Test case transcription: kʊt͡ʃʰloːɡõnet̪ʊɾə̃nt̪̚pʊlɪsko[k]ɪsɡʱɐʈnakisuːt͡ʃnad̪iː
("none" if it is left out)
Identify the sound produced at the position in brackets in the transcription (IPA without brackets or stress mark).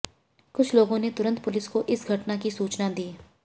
ʔ